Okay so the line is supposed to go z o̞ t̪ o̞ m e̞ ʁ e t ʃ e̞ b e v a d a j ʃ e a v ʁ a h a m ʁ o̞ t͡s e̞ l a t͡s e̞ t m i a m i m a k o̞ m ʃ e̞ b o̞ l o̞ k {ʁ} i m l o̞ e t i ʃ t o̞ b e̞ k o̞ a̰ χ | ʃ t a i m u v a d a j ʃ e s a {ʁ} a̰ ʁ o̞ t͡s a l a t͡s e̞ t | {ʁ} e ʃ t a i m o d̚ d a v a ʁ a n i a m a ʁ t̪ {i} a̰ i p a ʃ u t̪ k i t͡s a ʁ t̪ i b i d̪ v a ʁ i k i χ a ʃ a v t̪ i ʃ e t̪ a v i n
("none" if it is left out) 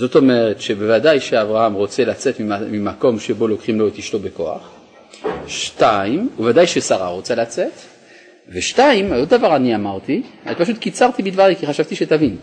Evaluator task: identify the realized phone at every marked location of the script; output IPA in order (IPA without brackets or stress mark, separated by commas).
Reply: χ, ʁ, v, i